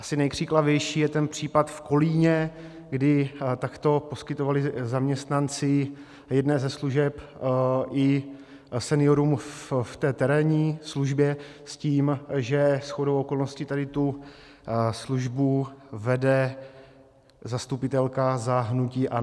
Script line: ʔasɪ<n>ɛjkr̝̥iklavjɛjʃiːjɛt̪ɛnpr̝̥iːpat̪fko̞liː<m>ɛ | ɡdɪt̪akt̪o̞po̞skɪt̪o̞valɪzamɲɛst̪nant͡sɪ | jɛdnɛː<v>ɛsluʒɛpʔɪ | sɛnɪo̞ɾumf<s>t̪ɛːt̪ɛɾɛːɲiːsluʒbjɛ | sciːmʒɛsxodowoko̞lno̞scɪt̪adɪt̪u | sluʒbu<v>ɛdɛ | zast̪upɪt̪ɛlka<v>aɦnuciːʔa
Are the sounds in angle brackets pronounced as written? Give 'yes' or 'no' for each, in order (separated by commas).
yes, no, no, no, yes, no